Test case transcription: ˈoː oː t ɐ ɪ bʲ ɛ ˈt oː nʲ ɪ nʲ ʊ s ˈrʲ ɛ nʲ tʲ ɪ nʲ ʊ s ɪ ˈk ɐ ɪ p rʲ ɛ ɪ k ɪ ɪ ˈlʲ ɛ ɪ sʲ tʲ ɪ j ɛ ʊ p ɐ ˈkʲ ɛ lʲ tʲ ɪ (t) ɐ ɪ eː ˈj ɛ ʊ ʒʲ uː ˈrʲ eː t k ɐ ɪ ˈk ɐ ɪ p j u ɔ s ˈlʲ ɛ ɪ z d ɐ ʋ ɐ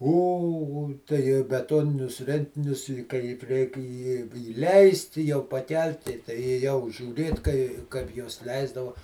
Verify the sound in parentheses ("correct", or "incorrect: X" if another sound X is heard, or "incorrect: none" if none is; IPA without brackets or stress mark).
correct